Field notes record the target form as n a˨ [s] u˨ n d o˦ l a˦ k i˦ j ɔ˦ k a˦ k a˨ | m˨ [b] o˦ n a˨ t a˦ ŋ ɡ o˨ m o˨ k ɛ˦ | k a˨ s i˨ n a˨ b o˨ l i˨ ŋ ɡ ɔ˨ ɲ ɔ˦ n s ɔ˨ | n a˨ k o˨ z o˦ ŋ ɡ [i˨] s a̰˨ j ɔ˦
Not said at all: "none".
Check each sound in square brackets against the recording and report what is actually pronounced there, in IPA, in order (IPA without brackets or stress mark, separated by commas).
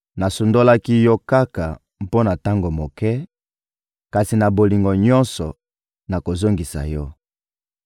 s, p, i˨